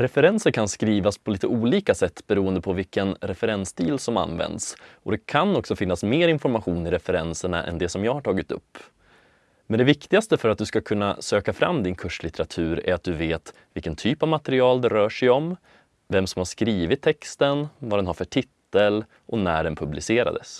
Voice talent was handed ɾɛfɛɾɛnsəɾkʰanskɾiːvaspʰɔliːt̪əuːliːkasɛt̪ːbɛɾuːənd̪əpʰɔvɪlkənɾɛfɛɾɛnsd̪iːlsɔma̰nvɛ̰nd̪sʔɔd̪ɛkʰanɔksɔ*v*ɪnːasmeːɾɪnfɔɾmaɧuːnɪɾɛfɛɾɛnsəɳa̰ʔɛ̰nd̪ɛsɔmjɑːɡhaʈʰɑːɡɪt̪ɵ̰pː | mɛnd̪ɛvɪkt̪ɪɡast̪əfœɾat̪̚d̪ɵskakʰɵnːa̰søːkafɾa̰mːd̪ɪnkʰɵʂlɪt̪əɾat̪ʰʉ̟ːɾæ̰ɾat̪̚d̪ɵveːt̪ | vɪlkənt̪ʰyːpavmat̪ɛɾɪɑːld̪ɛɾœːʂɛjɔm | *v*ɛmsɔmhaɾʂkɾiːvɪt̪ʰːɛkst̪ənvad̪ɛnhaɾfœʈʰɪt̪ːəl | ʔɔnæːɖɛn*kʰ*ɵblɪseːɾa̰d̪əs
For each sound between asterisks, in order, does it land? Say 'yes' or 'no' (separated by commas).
no, yes, no